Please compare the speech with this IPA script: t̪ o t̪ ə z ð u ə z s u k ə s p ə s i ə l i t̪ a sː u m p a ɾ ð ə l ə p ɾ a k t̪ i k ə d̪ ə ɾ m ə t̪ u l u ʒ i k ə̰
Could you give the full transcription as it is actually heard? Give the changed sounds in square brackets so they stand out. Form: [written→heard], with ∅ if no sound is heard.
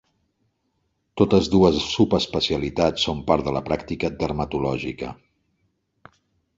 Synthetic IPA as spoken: t̪ o t̪ ə z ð u ə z s u [k→p] ə s p ə s i ə l i t̪ a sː [u→o] m p a ɾ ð ə l ə p ɾ a k t̪ i k ə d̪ ə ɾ m ə t̪ u l [u→ɔ] ʒ i k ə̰